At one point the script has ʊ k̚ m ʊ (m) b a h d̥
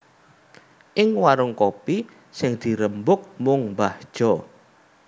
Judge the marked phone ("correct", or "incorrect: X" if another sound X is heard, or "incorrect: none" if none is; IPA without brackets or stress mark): incorrect: ŋ